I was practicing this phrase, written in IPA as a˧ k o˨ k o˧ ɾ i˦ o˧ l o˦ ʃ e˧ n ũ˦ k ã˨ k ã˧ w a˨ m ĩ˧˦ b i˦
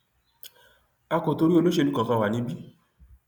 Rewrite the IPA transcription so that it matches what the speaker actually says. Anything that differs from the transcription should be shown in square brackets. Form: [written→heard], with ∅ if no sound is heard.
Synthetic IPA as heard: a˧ k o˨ [k→t] o˧ ɾ i˦ o˧ l o˦ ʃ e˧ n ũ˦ k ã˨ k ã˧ w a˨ [m→n] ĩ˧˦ b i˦